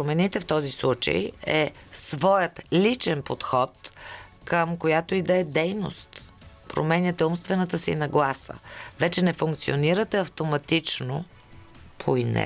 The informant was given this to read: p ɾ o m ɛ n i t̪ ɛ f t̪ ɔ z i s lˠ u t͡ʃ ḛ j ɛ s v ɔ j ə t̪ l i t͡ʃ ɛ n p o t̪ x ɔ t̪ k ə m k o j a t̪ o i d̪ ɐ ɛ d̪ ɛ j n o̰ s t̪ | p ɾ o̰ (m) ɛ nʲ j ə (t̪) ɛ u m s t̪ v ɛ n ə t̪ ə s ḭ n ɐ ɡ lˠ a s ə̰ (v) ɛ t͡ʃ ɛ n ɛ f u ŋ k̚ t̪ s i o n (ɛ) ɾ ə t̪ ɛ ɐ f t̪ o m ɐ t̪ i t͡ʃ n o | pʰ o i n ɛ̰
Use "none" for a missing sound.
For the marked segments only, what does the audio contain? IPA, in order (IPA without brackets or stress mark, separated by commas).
m, t̪, v, i